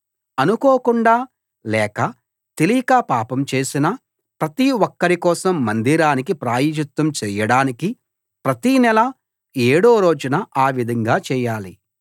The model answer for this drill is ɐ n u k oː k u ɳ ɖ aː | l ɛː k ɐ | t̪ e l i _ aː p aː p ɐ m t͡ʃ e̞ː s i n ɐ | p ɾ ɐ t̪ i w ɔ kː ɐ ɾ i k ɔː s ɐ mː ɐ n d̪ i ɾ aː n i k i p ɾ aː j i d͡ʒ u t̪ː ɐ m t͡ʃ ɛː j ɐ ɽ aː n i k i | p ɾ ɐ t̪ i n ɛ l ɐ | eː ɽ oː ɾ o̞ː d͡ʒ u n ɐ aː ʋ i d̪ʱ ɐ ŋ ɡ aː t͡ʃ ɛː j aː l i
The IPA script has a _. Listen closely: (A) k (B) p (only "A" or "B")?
A